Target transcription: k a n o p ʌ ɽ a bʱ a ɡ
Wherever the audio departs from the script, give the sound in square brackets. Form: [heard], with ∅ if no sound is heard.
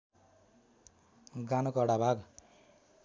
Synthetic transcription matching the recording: [ɡ] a n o [k] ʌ ɽ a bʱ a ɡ